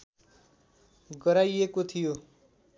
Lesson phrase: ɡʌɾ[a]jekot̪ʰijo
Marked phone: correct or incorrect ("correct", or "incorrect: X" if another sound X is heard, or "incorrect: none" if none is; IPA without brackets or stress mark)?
correct